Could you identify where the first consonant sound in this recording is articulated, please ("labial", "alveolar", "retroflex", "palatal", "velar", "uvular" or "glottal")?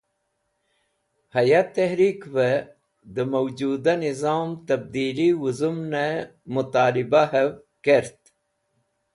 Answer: glottal